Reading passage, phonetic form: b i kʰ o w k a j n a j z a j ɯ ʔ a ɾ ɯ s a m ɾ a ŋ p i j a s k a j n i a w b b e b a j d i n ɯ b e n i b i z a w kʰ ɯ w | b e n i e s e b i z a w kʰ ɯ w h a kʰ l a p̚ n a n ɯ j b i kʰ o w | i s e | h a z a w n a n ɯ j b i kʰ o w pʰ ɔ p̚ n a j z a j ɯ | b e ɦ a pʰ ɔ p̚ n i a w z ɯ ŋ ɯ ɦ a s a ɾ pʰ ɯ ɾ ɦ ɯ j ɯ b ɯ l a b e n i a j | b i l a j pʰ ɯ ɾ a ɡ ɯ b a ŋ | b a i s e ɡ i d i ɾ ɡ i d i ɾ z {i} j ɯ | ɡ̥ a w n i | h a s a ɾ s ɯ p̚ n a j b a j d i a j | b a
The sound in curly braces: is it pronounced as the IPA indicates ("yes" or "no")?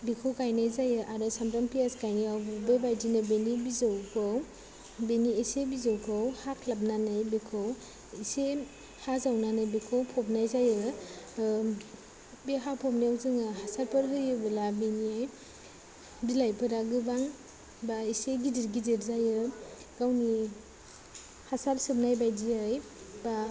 no